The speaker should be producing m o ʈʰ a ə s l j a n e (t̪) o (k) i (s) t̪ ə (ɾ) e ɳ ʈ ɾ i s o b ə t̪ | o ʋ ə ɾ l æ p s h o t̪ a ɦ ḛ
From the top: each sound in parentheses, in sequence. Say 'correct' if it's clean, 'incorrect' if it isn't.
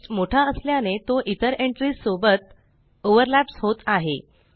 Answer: correct, incorrect: ʔ, incorrect: none, correct

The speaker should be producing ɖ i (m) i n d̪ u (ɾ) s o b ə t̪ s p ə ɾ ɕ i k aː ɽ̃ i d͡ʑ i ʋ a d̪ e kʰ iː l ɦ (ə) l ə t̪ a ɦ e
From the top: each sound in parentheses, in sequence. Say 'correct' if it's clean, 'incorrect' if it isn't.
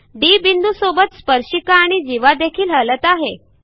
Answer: incorrect: b, incorrect: none, correct

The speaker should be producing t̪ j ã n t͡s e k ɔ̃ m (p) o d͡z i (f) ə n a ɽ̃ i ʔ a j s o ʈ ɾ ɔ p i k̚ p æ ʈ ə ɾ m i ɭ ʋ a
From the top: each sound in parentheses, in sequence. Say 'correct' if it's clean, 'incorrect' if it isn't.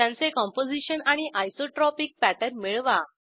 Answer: correct, incorrect: ɕ

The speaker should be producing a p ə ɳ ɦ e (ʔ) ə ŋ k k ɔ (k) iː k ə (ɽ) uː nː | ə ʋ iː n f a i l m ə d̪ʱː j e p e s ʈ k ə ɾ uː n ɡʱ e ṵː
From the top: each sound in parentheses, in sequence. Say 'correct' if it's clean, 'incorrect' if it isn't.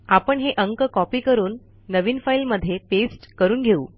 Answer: correct, incorrect: p, incorrect: ɾ

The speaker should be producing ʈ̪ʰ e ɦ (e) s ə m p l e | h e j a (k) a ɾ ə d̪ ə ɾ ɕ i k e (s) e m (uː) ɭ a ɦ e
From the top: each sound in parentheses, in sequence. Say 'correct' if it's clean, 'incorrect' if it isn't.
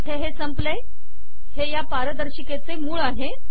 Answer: correct, incorrect: p, incorrect: t͡s, correct

